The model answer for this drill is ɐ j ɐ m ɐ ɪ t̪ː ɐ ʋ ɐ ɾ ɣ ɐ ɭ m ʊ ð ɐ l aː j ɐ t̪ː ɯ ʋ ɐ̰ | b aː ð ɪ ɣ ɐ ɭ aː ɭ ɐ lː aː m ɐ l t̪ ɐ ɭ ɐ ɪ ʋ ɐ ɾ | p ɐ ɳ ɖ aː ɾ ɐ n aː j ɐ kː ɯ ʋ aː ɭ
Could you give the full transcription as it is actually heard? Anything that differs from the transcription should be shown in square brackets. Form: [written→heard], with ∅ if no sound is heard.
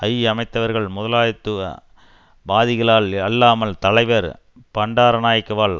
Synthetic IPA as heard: ɐ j ɐ m ɐ ɪ t̪ː ɐ ʋ ɐ ɾ ɣ ɐ ɭ m ʊ ð ɐ l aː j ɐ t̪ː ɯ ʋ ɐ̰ | b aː ð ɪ ɣ ɐ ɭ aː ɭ ɐ lː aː m ɐ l t̪ ɐ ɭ ɐ ɪ ʋ ɐ ɾ | p ɐ ɳ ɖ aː ɾ ɐ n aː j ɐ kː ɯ ʋ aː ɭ